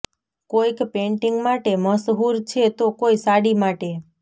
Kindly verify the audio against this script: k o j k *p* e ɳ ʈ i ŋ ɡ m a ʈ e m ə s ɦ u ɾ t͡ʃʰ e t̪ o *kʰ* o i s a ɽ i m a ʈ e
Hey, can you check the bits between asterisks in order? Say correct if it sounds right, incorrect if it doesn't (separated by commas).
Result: correct, incorrect